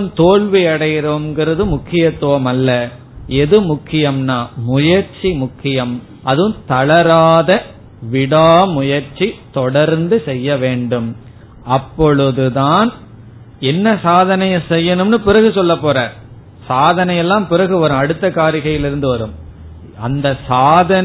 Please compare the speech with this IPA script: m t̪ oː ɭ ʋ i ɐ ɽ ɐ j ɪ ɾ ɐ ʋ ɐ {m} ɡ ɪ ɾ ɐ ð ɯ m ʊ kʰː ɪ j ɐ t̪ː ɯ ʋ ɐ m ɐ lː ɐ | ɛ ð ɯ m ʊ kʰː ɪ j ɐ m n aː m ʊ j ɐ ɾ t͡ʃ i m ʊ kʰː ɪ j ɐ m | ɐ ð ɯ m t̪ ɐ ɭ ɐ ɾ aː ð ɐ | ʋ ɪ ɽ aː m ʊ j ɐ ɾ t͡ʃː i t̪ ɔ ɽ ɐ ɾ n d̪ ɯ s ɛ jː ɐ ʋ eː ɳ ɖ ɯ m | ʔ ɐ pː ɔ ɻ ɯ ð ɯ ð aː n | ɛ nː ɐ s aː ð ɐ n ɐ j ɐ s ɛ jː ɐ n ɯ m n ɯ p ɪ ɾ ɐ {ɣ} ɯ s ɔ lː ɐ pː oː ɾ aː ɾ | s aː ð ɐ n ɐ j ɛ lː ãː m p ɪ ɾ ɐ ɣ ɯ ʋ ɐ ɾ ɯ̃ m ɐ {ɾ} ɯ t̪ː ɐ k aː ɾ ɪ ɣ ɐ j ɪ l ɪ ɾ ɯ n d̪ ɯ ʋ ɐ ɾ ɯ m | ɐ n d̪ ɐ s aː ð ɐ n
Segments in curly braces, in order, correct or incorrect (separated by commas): correct, correct, incorrect